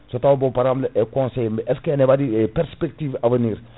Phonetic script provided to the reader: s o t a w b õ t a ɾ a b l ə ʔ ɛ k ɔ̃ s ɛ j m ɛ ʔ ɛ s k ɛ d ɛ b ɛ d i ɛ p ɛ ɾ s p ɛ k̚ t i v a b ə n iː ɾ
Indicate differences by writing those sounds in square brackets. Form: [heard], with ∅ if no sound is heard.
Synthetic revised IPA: s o t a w b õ [p] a ɾ a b l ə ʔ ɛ k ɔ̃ s ɛ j m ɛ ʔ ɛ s k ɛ [n] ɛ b [a] d i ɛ p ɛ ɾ s p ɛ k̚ t i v a [v] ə n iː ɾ